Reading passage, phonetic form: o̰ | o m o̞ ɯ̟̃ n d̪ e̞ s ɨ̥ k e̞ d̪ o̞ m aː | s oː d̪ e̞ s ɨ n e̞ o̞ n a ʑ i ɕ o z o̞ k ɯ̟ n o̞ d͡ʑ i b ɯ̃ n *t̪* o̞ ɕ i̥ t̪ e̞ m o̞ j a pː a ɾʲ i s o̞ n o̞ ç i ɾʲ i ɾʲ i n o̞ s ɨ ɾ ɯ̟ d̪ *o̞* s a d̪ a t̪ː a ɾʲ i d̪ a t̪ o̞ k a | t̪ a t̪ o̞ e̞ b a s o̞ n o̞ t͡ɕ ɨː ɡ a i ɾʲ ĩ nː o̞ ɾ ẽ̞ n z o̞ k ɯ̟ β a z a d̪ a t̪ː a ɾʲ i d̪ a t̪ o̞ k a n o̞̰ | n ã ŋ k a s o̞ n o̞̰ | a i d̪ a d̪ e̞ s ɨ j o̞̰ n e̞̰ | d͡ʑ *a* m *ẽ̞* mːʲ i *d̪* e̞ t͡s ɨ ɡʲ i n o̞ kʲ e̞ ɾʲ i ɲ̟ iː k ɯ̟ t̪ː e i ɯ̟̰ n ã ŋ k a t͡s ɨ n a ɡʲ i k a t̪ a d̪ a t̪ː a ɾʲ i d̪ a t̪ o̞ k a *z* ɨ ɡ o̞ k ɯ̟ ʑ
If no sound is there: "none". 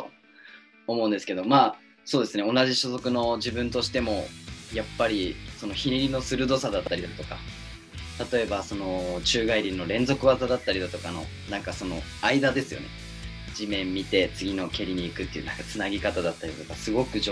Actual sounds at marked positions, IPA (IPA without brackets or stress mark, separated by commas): t̪, o̞, i, ẽ̞, t̪, s